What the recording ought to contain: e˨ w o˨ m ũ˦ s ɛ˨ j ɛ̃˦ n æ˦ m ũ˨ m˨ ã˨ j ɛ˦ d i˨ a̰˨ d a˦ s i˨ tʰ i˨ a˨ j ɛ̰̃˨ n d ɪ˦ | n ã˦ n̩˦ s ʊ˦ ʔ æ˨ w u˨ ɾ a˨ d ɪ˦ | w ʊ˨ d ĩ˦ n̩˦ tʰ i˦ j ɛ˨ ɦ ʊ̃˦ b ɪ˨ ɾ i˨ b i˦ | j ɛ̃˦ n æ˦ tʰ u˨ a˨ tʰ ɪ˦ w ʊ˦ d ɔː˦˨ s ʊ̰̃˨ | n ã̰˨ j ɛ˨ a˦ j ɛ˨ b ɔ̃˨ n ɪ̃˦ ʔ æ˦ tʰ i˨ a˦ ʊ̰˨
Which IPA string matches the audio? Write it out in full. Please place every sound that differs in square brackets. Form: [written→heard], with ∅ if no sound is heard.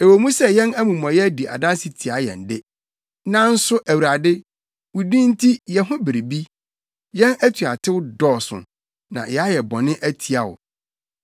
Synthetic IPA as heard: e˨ w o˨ m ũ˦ s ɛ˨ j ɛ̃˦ n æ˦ m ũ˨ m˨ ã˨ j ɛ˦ d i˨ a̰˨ d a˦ s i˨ tʰ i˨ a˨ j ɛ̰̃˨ n d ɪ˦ | n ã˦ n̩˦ s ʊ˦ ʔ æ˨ w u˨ ɾ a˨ d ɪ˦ | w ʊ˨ d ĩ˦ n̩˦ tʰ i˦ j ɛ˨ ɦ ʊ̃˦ b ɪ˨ ɾ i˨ b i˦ | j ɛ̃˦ n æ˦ tʰ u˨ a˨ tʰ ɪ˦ w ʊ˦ d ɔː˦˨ s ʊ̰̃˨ | n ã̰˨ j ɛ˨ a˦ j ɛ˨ b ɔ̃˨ n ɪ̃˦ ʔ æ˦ tʰ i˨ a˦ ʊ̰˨